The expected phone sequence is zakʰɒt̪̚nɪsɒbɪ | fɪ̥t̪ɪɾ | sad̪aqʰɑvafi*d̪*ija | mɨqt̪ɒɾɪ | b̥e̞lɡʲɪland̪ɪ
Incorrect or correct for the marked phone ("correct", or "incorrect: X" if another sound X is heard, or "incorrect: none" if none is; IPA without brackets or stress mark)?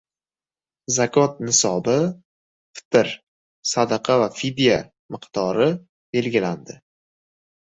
correct